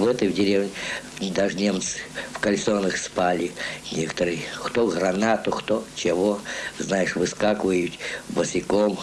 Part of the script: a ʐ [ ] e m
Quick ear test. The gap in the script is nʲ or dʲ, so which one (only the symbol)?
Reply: nʲ